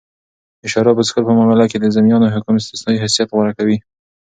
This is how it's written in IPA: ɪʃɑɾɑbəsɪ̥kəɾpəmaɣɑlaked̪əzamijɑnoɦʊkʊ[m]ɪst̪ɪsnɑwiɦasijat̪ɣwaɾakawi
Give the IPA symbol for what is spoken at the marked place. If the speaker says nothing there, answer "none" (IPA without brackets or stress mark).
m